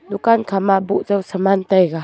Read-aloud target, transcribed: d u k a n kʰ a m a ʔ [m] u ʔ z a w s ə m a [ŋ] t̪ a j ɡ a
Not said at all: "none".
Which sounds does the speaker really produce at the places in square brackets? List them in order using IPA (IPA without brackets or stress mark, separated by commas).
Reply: b, n